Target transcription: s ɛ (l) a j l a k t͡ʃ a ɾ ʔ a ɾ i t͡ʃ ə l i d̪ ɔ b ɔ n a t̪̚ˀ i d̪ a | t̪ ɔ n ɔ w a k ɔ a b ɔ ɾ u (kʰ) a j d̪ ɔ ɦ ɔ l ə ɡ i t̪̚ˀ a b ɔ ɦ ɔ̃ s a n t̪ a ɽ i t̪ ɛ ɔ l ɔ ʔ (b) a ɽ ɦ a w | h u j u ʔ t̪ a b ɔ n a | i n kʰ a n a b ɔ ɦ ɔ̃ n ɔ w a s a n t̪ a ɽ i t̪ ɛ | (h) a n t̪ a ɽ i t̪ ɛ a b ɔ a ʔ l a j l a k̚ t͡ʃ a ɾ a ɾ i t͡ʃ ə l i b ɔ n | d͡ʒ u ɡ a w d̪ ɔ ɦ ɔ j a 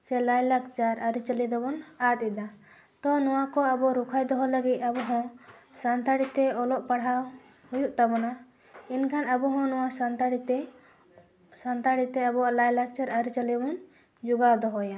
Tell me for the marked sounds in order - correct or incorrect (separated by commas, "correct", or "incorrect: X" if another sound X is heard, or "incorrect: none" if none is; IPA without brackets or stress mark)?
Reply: correct, correct, incorrect: p, incorrect: s